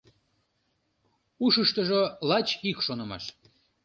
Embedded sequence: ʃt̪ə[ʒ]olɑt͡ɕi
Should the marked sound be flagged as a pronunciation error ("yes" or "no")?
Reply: no